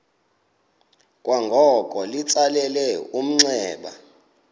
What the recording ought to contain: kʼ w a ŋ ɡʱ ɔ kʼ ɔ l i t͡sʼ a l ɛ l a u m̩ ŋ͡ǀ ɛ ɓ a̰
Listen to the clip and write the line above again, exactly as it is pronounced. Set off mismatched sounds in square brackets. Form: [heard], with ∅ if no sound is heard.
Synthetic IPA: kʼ w a ŋ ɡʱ ɔ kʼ ɔ l i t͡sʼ a l ɛ l [ɛ] u m̩ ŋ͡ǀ [ɛː] ɓ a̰